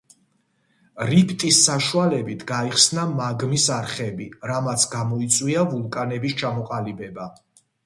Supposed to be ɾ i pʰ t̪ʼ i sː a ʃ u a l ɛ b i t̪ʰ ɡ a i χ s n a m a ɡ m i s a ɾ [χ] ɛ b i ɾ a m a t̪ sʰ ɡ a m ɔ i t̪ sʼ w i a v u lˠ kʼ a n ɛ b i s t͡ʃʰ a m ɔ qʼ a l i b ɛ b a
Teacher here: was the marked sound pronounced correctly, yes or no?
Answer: yes